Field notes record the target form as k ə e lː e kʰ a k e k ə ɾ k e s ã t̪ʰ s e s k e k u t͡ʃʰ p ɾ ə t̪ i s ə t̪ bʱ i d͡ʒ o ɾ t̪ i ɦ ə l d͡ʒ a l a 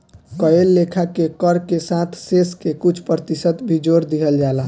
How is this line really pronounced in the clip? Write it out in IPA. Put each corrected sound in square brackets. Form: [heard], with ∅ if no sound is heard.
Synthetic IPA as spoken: k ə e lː e kʰ a k e k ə ɾ k e s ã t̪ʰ s e s k e k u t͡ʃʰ p ɾ ə t̪ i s ə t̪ bʱ i d͡ʒ o ɾ [d̪] i ɦ ə l d͡ʒ a l a